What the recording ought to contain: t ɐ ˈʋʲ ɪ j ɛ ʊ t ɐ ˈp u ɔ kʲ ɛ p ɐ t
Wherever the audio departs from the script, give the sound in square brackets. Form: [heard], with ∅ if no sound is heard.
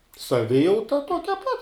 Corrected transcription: [s] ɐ ˈʋʲ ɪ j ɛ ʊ t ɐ [ˈt] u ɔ kʲ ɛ p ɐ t